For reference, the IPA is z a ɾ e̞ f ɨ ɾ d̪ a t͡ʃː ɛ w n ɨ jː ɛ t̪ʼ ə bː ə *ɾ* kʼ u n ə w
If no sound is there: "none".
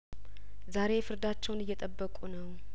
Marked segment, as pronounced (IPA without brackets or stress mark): none